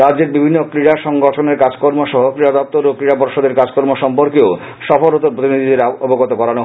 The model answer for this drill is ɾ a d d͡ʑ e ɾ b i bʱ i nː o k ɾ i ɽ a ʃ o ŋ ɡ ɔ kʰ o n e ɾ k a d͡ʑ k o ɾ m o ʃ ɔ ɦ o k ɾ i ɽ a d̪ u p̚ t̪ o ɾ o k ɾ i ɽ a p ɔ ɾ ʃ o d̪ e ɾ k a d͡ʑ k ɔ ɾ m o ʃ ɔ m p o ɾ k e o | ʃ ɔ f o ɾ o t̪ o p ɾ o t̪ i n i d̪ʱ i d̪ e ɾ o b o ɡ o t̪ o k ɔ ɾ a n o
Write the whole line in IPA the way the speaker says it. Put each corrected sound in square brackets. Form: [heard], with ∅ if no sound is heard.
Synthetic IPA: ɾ a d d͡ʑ e ɾ b i bʱ i nː o k ɾ i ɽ a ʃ [ɔ] ŋ ɡ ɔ [ʈʰ] o n e ɾ k a d͡ʑ k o ɾ m o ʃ ɔ ɦ o k ɾ i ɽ a d̪ [ɔ] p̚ t̪ o ɾ o k ɾ i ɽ a p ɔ ɾ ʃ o d̪ e ɾ k a d͡ʑ k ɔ ɾ m o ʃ ɔ m p o ɾ k e o | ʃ ɔ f o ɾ o t̪ o p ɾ o t̪ i n i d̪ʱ i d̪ e ɾ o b o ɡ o t̪ o k ɔ ɾ a n o